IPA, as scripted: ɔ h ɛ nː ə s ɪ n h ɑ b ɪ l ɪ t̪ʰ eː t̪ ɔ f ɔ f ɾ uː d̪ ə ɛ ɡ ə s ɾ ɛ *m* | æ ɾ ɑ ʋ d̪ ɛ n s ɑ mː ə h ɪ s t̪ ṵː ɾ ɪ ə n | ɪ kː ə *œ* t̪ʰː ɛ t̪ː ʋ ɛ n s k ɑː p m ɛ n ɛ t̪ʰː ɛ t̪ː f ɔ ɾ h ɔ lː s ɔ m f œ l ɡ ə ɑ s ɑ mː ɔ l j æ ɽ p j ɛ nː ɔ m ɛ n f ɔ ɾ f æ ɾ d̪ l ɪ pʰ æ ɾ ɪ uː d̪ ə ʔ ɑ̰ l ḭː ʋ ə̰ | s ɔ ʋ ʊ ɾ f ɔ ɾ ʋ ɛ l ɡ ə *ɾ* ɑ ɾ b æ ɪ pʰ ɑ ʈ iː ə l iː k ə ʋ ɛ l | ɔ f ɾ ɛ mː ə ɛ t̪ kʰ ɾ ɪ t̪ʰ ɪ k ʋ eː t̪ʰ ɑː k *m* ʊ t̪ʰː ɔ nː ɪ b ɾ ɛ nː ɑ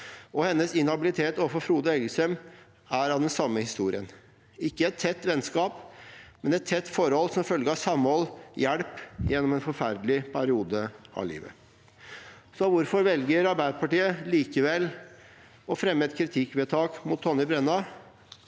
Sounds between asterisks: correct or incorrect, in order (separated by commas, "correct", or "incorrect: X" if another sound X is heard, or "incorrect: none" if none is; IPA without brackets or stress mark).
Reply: correct, incorrect: ɛ, correct, correct